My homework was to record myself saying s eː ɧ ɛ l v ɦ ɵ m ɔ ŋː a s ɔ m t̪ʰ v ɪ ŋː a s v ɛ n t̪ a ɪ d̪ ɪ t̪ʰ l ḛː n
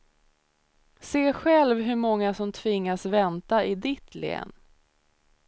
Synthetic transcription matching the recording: s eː ɧ ɛ l v ɦ ɵ m ɔ ŋː a s ɔ m t̪ʰ v ɪ ŋː a s v ɛ n t̪ a ɪ d̪ ɪ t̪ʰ l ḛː n